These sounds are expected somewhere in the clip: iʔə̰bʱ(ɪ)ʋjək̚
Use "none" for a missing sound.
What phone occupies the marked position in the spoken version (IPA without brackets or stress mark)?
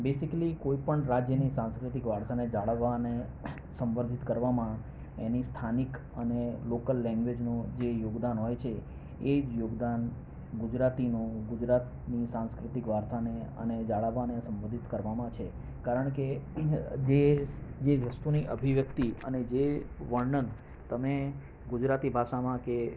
i